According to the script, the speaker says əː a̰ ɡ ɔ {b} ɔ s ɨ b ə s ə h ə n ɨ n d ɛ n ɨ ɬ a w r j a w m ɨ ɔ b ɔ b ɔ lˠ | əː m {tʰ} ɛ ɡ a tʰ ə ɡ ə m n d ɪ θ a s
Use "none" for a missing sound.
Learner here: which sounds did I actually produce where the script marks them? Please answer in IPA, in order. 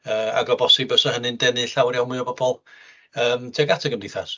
b, tʰ

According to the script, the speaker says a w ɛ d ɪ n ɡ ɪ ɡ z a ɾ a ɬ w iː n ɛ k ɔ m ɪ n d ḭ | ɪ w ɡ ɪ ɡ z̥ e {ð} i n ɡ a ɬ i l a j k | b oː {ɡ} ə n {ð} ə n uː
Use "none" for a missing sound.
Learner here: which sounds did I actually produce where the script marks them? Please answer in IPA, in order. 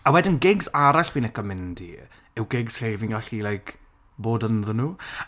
v, d, ð

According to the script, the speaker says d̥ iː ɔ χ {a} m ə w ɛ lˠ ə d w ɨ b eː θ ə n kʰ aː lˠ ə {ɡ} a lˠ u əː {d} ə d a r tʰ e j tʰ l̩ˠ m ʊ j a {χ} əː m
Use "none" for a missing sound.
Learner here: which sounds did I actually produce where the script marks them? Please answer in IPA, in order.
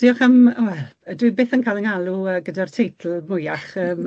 ə, ŋ, ɡ, χ

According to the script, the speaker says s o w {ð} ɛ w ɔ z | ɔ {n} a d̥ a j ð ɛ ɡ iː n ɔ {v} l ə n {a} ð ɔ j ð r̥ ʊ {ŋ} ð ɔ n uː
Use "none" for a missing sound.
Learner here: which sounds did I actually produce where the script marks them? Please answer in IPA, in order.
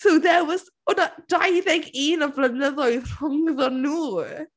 ð, n, v, ə, ŋ

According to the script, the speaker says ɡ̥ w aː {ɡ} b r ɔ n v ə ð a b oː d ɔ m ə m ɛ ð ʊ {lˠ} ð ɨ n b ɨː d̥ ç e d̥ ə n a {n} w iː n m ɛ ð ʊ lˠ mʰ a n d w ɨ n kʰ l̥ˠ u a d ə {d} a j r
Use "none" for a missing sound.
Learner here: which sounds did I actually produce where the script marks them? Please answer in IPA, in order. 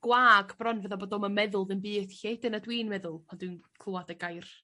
ɡ, lˠ, d, ɡ

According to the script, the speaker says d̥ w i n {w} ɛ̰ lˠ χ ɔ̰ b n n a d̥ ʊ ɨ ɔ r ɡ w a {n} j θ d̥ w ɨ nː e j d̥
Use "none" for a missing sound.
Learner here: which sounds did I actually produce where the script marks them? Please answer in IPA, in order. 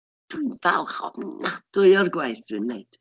v, none

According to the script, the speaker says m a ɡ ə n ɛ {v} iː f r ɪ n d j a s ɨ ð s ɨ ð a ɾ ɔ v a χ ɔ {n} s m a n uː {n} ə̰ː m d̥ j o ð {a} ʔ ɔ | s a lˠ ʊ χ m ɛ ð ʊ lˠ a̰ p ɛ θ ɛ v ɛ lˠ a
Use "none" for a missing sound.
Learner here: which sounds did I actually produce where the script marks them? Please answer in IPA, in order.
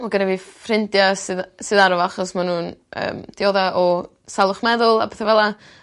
v, none, n, a

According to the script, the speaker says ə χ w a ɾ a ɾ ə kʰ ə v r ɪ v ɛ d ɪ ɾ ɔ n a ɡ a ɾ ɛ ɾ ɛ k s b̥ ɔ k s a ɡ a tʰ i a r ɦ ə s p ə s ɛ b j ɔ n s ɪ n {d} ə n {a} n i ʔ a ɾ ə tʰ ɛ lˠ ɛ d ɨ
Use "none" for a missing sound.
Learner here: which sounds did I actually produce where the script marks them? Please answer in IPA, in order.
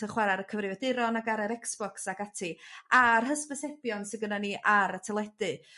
ɡ, a

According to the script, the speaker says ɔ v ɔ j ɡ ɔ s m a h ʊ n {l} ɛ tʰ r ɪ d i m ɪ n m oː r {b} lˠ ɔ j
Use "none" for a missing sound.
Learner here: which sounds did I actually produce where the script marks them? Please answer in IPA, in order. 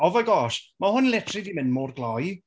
l, ɡ

